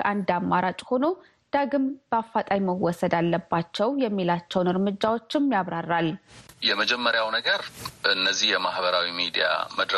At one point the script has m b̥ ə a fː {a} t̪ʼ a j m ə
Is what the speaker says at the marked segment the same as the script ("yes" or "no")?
yes